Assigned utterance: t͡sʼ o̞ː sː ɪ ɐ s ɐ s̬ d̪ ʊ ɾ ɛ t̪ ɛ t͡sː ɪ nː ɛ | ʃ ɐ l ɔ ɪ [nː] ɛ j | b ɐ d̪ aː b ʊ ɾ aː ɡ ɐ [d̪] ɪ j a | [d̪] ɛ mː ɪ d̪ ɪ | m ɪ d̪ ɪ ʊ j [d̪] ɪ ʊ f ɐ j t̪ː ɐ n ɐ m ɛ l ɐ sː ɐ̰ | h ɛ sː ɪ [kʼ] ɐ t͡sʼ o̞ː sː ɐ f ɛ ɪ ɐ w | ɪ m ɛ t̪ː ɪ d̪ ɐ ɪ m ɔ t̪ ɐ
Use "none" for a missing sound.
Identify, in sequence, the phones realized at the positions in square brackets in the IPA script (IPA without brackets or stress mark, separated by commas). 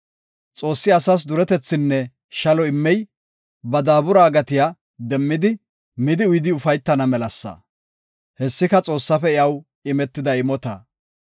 mː, t̪, d̪, d̪, k